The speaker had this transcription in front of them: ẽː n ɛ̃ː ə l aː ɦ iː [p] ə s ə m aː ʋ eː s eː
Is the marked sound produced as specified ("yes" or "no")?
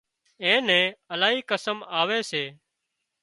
no